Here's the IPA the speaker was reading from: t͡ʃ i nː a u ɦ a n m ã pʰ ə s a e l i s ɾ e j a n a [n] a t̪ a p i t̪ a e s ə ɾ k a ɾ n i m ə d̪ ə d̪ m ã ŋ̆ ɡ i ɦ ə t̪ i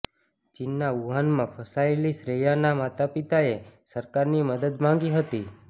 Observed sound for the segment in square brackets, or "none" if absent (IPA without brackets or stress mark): m